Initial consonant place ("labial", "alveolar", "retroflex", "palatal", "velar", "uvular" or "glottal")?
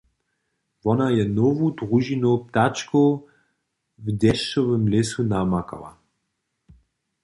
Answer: labial